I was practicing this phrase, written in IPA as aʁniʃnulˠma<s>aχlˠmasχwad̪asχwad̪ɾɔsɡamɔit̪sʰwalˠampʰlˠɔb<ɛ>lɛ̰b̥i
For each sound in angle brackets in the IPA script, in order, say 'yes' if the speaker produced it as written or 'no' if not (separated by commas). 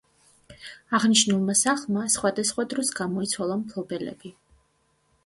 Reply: yes, yes